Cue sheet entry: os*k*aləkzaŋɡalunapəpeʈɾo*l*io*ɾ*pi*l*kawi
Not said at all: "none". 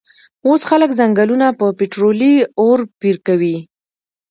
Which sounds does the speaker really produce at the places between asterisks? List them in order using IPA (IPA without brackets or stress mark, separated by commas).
x, l, ɾ, ɾ